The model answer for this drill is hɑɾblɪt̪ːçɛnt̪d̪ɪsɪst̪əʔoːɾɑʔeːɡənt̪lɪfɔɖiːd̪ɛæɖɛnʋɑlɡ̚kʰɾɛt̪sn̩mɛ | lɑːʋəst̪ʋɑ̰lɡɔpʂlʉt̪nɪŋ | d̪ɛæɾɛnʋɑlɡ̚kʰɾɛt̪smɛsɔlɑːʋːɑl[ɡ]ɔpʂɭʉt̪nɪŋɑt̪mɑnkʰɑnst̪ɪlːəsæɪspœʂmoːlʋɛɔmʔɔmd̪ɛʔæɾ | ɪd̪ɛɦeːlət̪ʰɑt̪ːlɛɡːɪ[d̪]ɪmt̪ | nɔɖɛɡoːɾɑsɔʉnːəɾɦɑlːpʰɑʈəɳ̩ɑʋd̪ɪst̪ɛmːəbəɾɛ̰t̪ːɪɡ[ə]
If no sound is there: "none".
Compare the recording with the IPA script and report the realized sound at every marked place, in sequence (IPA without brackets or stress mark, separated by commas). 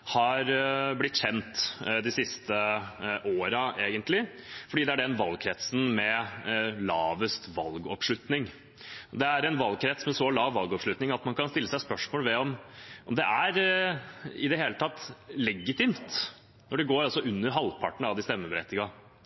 ɡ, t̪, ɑ